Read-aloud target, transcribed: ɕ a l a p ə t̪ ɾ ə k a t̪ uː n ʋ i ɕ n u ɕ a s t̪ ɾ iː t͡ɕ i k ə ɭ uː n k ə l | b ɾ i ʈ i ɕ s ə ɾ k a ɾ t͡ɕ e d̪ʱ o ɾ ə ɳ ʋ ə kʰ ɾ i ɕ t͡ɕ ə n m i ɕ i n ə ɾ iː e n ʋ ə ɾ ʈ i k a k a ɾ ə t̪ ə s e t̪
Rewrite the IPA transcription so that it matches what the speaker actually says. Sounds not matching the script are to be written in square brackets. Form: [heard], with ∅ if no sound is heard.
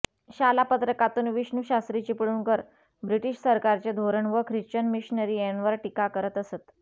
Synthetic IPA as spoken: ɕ a l a p ə t̪ ɾ ə k a t̪ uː n ʋ i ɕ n u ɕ a s t̪ ɾ [i] t͡ɕ i [p] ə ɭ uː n k ə [ɾ] | b ɾ i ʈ i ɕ s ə ɾ k a ɾ t͡ɕ e d̪ʱ o ɾ ə ɳ ʋ ə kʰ ɾ i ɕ t͡ɕ ə n m i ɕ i n ə ɾ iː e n ʋ ə ɾ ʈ i k a k [ə] ɾ ə t̪ ə s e t̪

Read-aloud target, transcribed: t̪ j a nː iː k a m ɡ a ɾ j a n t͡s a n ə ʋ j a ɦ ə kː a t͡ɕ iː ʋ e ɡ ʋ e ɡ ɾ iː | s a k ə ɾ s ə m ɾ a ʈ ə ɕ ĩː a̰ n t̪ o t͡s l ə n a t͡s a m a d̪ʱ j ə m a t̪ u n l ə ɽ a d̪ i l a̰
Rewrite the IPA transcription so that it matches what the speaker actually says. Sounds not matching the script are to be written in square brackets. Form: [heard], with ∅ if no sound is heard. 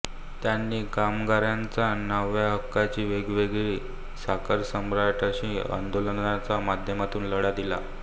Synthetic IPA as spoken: t̪ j a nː iː k a m ɡ a ɾ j a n t͡s a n ə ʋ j a ɦ ə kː a t͡ɕ iː ʋ e ɡ ʋ e ɡ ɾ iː | s a k ə ɾ s ə m ɾ a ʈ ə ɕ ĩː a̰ n [d̪] o [∅] l ə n a t͡s a m a d̪ʱ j ə m a t̪ [uː] n l ə ɽ a d̪ i l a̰

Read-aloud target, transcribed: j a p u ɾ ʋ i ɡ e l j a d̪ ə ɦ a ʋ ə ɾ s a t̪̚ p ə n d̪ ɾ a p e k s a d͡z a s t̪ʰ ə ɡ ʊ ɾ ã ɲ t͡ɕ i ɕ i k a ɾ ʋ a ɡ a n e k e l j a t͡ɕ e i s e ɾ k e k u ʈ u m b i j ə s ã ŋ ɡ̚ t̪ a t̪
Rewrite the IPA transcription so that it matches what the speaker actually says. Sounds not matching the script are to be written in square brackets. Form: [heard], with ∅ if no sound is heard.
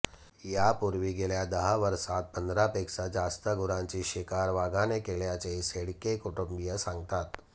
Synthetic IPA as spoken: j a p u ɾ ʋ i ɡ e l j a d̪ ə ɦ a ʋ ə ɾ s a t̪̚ p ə n d̪ ɾ a p e k s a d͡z a s [t̪] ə ɡ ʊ ɾ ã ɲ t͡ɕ i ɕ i k a ɾ ʋ a ɡ a n e k e l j a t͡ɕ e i s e [ɽ] k e k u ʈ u m b i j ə s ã ŋ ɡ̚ t̪ a t̪

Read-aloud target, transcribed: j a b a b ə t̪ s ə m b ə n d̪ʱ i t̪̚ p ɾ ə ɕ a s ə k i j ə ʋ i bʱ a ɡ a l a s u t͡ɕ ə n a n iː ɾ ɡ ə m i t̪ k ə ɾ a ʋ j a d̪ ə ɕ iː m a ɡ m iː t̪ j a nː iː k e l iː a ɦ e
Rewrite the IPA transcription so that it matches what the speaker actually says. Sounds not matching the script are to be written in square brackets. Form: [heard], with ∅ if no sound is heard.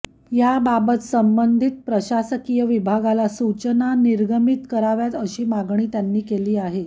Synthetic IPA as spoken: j a b a b ə t̪ s ə m b ə n d̪ʱ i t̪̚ p ɾ ə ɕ a s ə k i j ə ʋ i bʱ a ɡ a l a s u t͡ɕ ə n a n [i] ɾ ɡ ə m i t̪ k ə ɾ a ʋ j a [t̪] ə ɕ iː m a ɡ [ɳ] iː t̪ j a nː iː k e l iː a ɦ e

